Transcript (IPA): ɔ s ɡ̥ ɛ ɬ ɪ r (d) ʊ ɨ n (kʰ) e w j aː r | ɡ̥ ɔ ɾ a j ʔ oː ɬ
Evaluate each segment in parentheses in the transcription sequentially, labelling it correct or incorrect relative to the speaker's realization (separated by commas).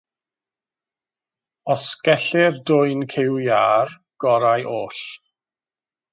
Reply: correct, correct